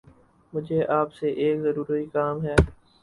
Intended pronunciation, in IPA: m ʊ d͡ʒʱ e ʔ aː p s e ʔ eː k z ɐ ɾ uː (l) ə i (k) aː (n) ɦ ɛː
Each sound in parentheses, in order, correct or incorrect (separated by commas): incorrect, correct, incorrect